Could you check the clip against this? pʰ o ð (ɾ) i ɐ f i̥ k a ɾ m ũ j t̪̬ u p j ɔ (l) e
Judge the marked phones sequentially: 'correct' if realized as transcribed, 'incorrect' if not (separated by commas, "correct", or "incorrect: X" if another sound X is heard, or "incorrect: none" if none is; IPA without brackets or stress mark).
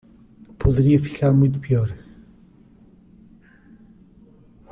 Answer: correct, incorrect: ɾ